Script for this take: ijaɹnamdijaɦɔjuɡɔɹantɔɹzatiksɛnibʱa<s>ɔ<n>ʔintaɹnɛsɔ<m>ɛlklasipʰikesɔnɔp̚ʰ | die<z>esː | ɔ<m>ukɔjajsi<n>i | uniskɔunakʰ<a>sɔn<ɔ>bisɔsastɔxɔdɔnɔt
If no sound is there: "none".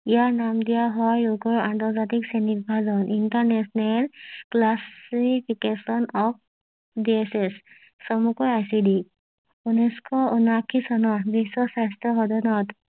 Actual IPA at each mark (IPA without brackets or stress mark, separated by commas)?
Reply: z, n, n, s, m, d, i, ɔ